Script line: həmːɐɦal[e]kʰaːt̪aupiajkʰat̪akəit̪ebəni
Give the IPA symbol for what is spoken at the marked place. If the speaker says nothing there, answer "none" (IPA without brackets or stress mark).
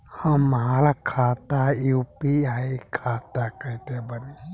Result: a